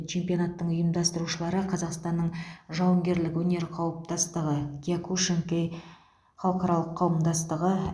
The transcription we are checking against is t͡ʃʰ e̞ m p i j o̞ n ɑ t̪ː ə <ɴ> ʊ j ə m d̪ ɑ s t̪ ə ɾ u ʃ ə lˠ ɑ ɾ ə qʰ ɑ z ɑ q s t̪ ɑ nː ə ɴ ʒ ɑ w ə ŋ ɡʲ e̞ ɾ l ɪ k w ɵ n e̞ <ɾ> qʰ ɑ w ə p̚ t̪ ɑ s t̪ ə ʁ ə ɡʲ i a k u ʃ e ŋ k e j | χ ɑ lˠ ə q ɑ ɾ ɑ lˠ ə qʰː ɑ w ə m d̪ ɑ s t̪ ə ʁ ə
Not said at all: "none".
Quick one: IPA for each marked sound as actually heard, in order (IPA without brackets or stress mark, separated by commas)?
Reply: ɴ, ɾ